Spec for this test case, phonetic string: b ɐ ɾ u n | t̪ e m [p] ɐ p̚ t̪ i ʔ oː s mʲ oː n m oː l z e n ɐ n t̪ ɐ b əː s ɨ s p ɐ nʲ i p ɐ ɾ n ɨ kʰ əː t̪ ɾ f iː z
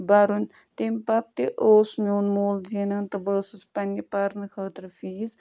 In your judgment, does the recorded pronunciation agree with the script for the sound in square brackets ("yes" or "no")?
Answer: yes